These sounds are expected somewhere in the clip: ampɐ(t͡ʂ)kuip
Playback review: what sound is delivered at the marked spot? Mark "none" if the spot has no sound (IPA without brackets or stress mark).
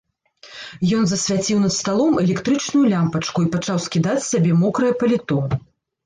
t͡ʂ